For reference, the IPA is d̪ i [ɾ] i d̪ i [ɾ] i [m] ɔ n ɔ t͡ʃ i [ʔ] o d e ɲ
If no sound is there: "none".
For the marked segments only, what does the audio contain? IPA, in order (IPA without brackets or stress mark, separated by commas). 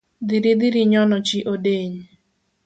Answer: ɾ, ɾ, ɲ, ʔ